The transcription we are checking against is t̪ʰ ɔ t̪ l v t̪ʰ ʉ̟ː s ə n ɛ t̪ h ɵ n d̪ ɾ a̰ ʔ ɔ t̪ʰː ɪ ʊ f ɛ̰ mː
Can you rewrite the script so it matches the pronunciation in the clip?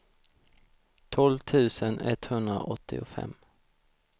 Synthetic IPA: t̪ʰ ɔ l v t̪ʰ ʉ̟ː s ə n ɛ t̪ h ɵ n d̪ ɾ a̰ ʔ ɔ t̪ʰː ɪ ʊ f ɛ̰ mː